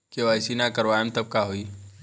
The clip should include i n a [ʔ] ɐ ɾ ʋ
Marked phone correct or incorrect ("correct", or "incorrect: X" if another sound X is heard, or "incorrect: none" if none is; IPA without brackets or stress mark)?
incorrect: k